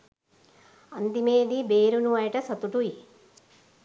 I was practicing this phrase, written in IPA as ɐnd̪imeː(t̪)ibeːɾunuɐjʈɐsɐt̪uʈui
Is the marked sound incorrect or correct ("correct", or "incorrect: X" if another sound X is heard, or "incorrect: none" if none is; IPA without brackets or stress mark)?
incorrect: d̪